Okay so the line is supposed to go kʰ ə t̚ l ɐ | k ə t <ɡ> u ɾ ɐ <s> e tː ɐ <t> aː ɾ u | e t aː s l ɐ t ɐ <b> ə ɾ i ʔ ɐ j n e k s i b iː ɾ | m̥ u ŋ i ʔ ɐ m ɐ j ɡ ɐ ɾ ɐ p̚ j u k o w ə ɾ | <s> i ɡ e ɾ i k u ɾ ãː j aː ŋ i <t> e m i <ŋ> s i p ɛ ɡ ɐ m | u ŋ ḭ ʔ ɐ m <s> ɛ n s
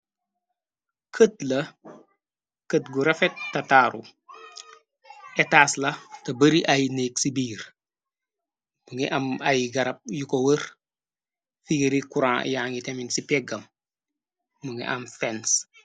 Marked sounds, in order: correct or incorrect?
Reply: correct, incorrect, correct, correct, incorrect, correct, incorrect, incorrect

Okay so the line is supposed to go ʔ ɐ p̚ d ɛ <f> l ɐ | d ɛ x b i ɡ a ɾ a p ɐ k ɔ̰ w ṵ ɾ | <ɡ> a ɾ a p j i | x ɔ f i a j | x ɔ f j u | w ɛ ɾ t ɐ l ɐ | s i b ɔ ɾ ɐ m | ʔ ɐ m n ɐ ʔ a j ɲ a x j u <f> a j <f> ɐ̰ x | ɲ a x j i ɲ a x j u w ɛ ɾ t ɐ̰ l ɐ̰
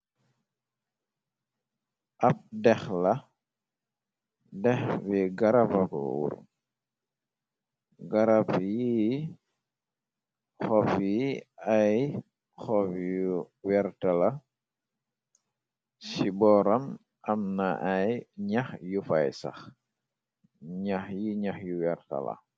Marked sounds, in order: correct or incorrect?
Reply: incorrect, correct, correct, incorrect

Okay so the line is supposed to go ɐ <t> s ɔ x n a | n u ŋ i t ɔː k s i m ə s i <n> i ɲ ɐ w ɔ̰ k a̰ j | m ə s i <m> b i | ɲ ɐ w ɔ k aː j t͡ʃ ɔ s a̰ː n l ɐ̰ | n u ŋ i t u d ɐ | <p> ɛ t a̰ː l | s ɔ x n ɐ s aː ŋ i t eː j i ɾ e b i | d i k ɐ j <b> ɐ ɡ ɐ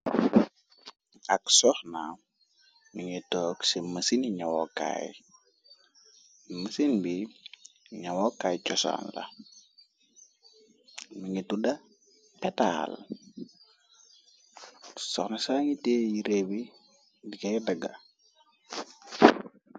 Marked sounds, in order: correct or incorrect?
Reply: incorrect, correct, incorrect, correct, incorrect

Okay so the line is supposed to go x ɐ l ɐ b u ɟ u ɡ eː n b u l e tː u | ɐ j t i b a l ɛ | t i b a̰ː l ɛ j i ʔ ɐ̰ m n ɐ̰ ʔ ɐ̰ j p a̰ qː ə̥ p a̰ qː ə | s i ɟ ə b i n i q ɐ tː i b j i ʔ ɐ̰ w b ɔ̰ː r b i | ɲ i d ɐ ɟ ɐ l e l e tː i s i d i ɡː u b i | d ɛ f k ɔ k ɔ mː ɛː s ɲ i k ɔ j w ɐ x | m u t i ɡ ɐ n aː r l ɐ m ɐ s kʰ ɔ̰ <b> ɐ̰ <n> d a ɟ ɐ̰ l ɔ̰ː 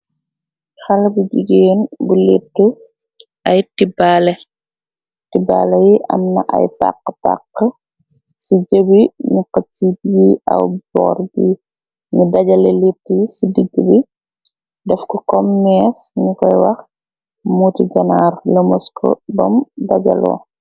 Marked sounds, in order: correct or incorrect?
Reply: correct, incorrect

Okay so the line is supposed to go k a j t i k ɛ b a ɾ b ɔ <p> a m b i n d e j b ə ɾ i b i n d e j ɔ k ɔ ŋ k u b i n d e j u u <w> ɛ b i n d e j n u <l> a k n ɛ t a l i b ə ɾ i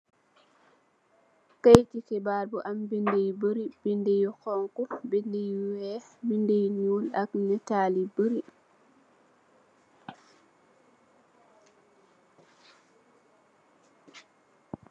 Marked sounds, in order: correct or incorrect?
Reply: incorrect, correct, correct

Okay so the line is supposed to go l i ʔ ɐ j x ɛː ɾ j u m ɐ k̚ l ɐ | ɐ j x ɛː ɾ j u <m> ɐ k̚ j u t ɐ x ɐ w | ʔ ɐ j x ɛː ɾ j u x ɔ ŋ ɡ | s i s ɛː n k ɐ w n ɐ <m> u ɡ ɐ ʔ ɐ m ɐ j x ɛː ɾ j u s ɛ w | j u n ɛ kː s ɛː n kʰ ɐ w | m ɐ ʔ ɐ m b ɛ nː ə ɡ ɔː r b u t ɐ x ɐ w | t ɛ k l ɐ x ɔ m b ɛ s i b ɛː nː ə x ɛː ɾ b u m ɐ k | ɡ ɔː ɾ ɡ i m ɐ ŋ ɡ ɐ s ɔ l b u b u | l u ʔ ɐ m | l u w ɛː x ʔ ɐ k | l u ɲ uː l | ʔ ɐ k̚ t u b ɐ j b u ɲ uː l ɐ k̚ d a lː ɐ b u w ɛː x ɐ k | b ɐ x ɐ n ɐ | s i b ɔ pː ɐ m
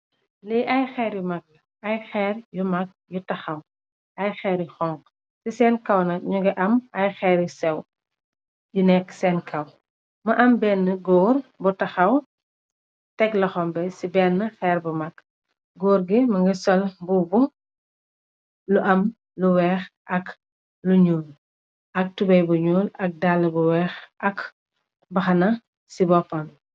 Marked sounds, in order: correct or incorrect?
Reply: correct, incorrect

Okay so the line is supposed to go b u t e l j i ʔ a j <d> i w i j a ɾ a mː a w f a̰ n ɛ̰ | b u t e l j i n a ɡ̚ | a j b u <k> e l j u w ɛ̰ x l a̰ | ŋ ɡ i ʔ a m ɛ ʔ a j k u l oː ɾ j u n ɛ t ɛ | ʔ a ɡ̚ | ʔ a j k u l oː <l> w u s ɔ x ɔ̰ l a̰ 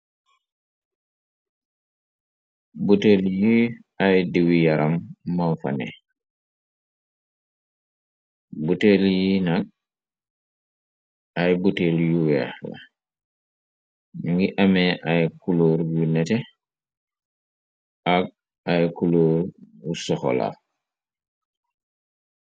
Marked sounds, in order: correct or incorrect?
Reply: correct, incorrect, incorrect

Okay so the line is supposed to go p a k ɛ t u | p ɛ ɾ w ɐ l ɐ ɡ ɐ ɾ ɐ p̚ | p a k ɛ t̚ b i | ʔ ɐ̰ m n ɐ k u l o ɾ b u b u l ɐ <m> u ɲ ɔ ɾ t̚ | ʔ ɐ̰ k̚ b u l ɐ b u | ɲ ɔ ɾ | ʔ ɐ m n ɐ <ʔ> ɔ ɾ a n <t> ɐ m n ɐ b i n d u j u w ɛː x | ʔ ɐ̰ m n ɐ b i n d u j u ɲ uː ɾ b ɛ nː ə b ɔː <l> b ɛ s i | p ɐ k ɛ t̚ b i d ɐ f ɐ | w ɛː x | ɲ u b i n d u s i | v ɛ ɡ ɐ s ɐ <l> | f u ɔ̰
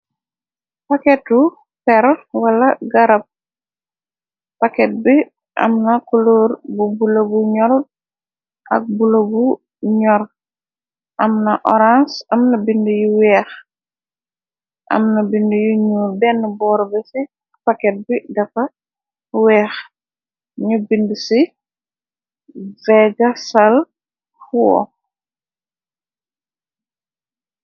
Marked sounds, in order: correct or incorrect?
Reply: incorrect, correct, incorrect, incorrect, correct

